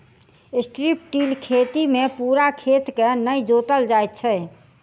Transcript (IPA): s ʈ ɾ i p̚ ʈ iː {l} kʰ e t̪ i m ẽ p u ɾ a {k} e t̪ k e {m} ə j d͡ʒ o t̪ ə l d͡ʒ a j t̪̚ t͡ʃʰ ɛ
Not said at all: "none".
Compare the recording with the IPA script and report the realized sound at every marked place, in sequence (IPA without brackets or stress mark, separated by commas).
l, kʰ, n